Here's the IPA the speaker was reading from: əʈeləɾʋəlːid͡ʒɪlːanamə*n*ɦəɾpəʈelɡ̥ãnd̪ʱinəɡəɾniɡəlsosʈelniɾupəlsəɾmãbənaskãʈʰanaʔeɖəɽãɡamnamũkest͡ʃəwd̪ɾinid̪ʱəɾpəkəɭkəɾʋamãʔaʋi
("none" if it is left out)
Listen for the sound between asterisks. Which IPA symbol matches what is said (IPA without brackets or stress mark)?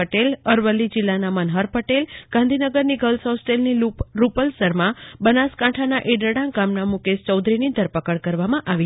n